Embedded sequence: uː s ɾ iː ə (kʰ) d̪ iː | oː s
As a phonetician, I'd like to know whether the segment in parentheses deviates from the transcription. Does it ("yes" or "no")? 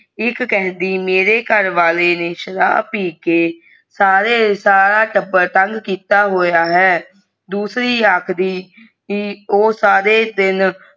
no